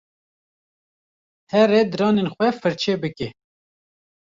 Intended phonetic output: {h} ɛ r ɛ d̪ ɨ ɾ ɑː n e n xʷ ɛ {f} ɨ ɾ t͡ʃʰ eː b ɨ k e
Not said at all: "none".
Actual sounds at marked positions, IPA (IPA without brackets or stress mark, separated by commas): h, f